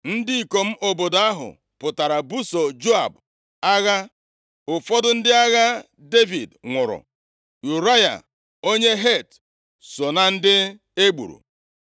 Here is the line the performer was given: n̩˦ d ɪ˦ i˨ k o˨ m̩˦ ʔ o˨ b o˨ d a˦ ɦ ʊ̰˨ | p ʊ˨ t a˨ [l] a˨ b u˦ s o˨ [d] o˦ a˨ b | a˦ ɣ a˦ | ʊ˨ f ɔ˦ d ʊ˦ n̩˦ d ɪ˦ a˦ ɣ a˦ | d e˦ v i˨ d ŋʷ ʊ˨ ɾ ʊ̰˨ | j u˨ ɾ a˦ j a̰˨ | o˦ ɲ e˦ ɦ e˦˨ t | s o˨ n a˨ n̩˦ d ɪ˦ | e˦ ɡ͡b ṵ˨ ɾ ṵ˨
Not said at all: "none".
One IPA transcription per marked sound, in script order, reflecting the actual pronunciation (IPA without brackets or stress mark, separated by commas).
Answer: ɾ, d͡ʒ